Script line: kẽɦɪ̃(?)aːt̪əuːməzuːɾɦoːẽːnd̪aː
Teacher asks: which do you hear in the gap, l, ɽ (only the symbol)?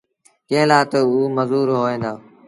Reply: l